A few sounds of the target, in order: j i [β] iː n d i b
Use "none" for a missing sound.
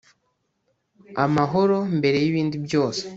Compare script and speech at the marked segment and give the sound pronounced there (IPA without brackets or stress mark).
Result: β